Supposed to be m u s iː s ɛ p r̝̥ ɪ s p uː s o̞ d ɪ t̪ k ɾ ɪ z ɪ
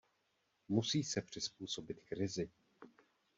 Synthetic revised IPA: m u s iː s ɛ p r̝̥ ɪ s p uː s o̞ b ɪ t̪ k ɾ ɪ z ɪ